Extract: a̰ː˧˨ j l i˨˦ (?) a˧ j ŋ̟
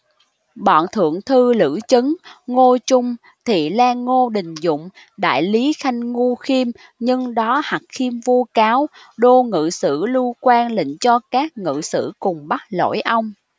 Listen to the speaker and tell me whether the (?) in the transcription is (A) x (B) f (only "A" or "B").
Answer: A